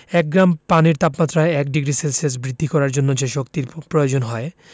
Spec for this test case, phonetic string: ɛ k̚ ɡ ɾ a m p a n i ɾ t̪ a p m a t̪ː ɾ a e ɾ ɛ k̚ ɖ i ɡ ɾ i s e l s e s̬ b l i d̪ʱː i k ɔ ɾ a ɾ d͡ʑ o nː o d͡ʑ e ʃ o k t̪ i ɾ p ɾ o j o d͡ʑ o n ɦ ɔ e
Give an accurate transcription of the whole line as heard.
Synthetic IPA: ɛ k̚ ɡ ɾ a m p a n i ɾ t̪ a p m a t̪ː ɾ a e ɛ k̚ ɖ i ɡ ɾ i s e l s e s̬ b ɾ i d̪ʱː i k ɔ ɾ a ɾ d͡ʑ o nː o d͡ʑ e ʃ o k t̪ i ɾ p ɾ o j o d͡ʑ o n ɦ ɔ e